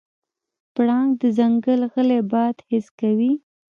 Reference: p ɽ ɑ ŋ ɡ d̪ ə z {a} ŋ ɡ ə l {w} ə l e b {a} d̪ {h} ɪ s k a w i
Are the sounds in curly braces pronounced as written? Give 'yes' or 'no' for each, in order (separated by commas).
yes, no, no, yes